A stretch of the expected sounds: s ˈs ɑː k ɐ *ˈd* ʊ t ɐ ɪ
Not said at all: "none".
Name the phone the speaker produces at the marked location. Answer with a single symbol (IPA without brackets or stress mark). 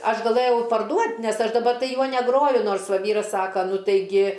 n